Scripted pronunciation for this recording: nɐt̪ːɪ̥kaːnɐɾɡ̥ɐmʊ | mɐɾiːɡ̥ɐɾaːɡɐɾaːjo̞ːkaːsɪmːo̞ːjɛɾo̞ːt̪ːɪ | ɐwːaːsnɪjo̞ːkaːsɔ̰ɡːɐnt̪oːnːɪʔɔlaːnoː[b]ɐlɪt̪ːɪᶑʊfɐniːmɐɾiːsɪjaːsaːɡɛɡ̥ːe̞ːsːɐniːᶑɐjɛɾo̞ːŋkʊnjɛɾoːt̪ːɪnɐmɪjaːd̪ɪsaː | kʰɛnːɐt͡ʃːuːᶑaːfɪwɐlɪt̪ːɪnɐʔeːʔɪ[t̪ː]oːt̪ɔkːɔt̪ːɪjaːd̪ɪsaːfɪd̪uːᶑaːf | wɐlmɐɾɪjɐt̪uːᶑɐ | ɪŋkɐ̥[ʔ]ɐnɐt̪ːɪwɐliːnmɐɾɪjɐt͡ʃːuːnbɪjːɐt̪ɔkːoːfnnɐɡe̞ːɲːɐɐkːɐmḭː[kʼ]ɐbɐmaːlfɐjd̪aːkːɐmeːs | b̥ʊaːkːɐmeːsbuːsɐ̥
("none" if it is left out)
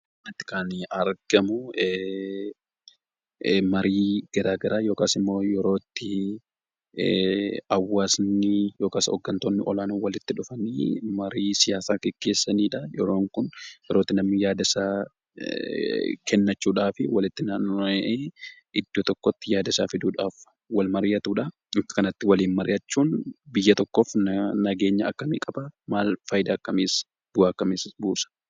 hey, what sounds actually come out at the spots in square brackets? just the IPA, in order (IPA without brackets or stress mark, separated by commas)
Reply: w, d̪ː, k, kʼ